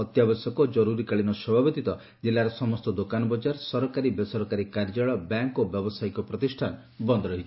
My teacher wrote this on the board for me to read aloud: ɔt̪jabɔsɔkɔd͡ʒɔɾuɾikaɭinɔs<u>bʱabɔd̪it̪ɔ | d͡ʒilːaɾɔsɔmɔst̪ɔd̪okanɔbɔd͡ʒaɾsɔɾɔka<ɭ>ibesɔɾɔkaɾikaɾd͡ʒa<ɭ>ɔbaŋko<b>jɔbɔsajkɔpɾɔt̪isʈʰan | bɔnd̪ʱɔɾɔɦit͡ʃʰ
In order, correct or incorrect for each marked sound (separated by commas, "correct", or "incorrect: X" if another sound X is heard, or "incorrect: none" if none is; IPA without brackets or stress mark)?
incorrect: ɔ, incorrect: ɾ, correct, correct